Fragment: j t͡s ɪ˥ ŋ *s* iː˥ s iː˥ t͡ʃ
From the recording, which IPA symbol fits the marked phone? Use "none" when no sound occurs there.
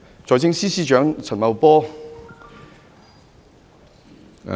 s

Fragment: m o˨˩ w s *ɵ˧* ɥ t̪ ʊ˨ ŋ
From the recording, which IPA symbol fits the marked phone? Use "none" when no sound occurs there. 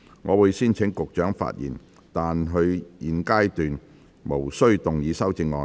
ɵ˥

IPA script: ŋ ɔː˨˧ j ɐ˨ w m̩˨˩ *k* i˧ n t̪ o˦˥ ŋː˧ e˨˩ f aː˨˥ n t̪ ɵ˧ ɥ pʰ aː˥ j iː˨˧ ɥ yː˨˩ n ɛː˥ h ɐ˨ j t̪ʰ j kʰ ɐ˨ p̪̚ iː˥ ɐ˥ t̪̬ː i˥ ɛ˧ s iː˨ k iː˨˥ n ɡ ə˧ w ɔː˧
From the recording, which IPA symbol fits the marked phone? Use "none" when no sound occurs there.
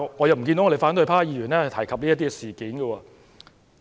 k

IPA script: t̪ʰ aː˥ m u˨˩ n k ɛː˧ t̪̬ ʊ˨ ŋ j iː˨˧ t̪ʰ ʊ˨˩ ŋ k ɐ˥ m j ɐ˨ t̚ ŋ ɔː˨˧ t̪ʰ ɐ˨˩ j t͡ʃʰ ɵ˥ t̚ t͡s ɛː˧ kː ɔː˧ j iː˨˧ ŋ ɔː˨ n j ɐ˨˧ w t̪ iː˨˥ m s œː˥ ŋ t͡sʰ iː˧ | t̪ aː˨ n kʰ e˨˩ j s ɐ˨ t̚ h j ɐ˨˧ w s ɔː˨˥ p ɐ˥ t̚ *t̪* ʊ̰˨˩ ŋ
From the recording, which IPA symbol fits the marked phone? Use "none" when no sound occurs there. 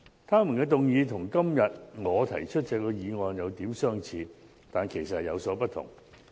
t̪ʰ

